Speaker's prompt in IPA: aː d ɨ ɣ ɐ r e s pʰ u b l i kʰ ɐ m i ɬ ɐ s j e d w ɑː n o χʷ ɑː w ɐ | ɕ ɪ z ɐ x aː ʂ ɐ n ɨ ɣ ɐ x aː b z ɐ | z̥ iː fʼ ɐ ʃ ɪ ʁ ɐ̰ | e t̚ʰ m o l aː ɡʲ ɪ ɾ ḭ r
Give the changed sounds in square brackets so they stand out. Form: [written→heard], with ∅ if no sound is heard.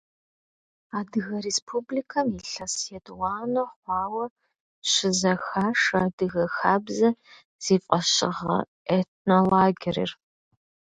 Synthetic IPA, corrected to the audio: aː d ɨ ɣ ɐ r e s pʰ u b l i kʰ ɐ m i ɬ ɐ s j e d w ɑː n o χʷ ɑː w ɐ | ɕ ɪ z ɐ x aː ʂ ɐ [n→d] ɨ ɣ ɐ x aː b z ɐ | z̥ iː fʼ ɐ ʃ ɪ ʁ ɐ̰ | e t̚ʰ [m→n] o l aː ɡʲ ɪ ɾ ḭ r